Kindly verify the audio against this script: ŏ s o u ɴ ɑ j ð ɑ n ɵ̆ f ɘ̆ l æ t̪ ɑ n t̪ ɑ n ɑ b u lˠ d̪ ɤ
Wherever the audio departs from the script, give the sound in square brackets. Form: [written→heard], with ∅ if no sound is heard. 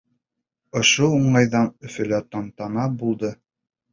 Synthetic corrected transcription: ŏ [s→ʃ] o u ɴ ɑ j ð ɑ n ɵ̆ f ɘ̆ l æ t̪ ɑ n t̪ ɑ n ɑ b u lˠ d̪ ɤ